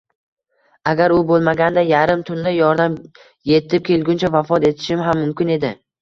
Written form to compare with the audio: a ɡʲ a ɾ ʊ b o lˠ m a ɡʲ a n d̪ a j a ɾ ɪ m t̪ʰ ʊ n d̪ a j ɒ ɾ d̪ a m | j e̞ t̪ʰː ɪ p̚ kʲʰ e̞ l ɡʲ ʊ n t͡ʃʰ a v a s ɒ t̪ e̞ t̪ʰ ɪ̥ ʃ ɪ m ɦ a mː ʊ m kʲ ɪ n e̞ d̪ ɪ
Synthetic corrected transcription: a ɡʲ a ɾ ʊ b o lˠ m a ɡʲ a n d̪ a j a ɾ ɪ m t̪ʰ ʊ n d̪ a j ɒ ɾ d̪ a m | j e̞ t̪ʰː ɪ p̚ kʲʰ e̞ l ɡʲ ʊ n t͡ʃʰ a v a f ɒ t̪ e̞ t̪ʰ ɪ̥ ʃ ɪ m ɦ a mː ʊ m kʲ ɪ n e̞ d̪ ɪ

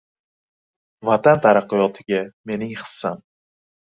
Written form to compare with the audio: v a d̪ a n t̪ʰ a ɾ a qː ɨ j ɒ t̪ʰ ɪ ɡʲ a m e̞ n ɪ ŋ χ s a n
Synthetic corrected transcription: v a t̪ a n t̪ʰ a ɾ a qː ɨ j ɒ t̪ʰ ɪ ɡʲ a m e̞ n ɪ ŋ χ s a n

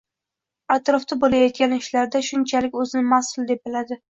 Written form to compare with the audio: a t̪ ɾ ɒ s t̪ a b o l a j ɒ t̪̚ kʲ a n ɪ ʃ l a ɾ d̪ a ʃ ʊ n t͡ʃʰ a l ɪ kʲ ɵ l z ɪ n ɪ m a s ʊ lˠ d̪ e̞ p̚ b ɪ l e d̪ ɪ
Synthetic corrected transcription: a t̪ ɾ ɒ f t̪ a b o l a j ɒ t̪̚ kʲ a n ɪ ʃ l a ɾ d̪ a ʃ ʊ n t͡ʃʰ a l ɪ kʲ ɵ z ɪ n ɪ m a s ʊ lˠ d̪ e̞ p̚ b ɪ l a d̪ ɪ

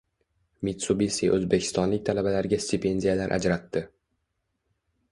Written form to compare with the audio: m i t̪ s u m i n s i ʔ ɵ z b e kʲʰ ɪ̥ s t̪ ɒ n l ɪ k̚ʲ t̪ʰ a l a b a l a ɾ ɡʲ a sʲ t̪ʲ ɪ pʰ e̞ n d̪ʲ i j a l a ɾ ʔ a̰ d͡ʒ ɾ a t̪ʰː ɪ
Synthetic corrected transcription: m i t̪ s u b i s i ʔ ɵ z b e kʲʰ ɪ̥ s t̪ ɒ n l ɪ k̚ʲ t̪ʰ a l a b a l a ɾ ɡʲ a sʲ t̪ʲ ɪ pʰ e̞ n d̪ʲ i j a l a ɾ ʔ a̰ d͡ʒ ɾ a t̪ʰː ɪ

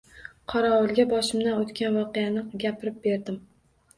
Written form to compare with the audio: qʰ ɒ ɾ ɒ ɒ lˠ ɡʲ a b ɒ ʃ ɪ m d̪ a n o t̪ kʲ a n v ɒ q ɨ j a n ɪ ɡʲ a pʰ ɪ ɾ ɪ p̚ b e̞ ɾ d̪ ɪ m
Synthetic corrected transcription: qʰ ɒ ɾ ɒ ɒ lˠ ɡʲ a b ɒ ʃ ɪ m d̪ a n o t̪ kʲ a n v ɒ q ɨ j a n ɪ ɡʲ a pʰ ɪ ɾ ɪ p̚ b e̞ ɾ d̪ ɪ m

